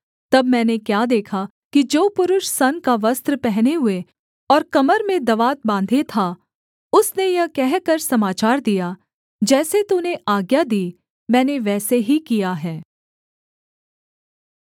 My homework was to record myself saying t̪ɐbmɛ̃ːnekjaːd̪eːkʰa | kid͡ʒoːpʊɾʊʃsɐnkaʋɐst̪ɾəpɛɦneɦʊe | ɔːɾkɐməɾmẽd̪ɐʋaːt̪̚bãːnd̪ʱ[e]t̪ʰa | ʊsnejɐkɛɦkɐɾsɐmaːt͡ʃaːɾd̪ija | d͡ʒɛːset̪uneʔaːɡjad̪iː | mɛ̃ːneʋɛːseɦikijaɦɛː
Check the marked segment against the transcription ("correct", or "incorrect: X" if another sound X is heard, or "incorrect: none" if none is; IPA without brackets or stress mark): correct